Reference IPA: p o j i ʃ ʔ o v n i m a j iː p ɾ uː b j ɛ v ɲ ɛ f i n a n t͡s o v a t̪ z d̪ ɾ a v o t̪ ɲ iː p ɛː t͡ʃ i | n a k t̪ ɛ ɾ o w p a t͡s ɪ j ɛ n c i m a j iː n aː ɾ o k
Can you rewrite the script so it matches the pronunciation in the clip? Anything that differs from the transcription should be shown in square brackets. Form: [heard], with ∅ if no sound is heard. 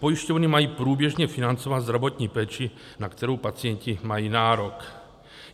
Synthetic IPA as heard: p o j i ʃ [c] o v n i m a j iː p ɾ uː b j ɛ [ʒ] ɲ ɛ f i n a n t͡s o v a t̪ z d̪ ɾ a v o t̪ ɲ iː p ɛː t͡ʃ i | n a k t̪ ɛ ɾ o w p a t͡s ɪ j ɛ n c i m a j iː n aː ɾ o k